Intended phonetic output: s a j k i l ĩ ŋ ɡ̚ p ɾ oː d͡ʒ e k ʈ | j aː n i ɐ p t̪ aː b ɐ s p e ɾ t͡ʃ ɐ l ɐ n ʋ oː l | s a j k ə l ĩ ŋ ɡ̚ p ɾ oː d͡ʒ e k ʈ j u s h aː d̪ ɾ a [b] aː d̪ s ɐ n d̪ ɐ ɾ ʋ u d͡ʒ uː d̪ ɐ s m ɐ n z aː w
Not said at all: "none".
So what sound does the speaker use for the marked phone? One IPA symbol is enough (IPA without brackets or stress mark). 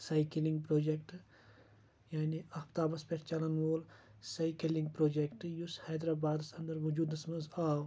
b